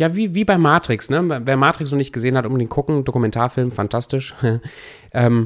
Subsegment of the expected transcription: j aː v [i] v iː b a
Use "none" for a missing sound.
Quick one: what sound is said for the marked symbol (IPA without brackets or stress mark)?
iː